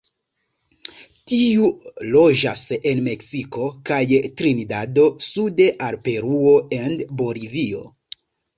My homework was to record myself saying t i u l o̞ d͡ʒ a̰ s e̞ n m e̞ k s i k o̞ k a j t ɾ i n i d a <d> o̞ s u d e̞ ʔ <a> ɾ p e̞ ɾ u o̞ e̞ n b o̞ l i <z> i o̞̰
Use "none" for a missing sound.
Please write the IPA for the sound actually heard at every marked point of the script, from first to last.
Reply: d, a, v

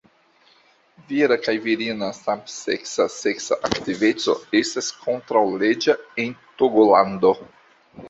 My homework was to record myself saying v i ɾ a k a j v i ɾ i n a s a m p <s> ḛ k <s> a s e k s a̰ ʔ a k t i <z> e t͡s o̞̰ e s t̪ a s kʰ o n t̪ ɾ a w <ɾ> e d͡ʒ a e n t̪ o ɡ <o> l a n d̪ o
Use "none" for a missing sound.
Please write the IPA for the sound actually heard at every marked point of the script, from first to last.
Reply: s, s, v, l, o

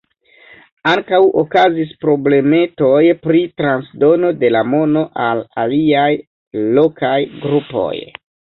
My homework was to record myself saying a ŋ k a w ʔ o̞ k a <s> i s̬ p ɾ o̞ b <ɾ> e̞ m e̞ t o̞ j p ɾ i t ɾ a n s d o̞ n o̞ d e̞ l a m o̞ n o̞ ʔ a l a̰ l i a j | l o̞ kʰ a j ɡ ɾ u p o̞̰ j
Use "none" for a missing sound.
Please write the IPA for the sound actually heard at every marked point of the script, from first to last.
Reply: z, l

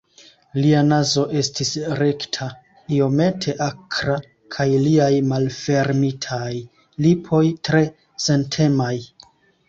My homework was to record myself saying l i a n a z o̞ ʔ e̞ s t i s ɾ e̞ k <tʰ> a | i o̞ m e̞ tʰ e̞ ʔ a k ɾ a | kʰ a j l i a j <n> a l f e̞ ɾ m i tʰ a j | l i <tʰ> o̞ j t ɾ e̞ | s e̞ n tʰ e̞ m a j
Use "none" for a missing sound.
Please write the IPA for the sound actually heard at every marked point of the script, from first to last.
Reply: tʰ, m, pʰ

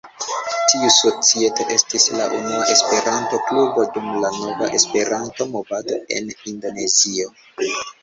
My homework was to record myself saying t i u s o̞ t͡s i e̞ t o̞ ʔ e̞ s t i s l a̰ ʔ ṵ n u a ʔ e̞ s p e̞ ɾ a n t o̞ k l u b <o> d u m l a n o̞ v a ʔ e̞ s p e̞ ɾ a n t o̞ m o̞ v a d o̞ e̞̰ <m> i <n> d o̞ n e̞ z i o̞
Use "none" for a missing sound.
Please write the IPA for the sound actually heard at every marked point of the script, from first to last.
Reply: o, n, n

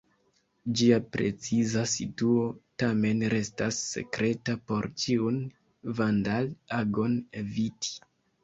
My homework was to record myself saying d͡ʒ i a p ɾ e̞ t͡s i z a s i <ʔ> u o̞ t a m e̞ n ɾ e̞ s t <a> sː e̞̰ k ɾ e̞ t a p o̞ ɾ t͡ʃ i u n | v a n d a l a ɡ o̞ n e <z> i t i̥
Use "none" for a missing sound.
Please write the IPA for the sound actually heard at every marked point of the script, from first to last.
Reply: t, a, v

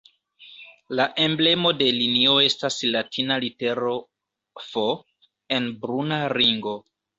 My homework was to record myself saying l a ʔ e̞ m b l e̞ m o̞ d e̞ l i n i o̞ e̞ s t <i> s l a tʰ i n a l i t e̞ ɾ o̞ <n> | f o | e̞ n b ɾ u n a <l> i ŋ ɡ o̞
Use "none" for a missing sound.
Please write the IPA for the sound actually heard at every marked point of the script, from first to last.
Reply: a, none, ɾ

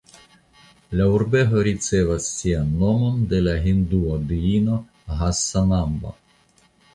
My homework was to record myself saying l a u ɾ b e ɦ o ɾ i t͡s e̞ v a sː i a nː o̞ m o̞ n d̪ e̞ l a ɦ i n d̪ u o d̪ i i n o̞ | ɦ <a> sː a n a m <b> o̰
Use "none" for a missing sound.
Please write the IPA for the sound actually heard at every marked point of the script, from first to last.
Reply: a, b

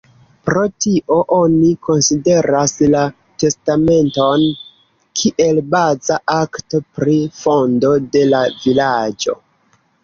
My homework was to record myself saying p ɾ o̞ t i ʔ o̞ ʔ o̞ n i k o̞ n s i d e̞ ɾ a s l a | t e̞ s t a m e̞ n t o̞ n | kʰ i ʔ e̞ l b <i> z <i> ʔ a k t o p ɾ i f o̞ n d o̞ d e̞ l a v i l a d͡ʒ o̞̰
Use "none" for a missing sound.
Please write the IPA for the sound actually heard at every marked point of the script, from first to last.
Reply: a, a

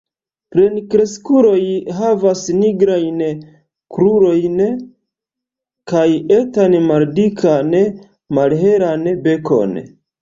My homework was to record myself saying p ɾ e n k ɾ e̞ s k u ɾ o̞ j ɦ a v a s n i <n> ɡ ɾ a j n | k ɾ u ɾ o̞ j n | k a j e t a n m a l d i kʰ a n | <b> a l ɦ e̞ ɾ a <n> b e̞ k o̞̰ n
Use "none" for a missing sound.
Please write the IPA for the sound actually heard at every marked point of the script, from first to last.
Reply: none, m, n

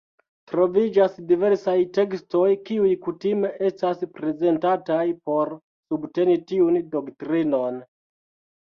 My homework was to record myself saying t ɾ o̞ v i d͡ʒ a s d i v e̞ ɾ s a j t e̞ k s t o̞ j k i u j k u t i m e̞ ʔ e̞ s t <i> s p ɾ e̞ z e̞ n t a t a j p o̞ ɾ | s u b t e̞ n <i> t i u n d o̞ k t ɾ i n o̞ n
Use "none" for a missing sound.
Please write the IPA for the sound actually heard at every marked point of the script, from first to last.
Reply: a, i

